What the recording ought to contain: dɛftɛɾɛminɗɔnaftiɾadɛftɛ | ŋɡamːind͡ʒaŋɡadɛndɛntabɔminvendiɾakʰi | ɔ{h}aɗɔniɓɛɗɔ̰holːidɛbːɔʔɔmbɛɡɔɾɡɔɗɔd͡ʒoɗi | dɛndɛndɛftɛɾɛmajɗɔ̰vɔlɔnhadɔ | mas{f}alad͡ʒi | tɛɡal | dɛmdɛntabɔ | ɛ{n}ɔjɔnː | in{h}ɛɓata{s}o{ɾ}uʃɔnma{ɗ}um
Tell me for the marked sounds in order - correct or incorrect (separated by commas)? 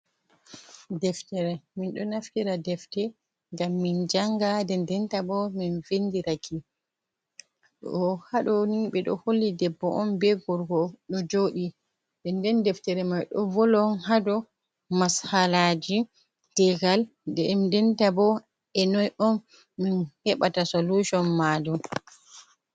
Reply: correct, incorrect, correct, correct, correct, incorrect, incorrect